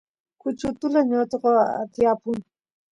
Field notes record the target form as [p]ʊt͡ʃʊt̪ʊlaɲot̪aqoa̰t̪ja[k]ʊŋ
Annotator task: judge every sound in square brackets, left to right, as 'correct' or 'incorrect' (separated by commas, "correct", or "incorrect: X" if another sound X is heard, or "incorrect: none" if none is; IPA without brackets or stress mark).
incorrect: k, incorrect: p